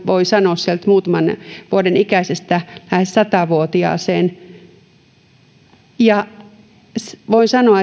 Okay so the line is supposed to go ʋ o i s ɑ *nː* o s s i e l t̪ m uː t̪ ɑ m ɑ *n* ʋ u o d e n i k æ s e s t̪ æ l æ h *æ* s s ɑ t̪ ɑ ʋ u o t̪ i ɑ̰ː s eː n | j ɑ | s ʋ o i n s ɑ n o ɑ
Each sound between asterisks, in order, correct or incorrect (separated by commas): incorrect, correct, incorrect